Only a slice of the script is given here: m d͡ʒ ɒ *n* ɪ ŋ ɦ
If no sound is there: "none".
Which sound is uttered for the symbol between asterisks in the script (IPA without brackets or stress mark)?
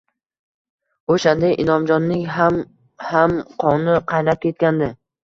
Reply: nː